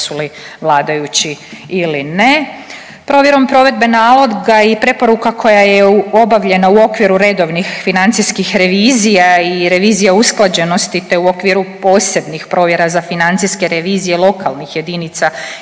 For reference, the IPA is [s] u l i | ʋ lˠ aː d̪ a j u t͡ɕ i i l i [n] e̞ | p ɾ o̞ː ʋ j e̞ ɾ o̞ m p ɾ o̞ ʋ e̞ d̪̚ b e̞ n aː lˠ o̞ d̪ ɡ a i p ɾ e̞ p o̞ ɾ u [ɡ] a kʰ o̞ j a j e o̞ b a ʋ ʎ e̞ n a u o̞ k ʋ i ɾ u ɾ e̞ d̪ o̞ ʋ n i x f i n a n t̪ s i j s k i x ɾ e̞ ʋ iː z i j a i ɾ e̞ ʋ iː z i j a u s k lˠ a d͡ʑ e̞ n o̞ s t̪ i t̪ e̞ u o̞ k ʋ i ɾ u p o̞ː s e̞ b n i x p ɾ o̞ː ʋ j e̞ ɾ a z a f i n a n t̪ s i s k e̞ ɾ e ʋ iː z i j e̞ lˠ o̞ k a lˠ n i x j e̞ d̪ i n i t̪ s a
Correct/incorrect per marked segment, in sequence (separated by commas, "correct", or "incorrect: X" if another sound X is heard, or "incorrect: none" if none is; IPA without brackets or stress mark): correct, correct, incorrect: k